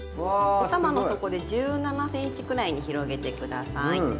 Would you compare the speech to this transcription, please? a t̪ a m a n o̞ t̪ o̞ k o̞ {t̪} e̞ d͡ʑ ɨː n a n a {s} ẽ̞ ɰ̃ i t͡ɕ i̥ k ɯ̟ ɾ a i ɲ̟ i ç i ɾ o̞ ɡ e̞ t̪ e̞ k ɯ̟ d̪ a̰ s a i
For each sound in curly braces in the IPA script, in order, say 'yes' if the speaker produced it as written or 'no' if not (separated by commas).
no, yes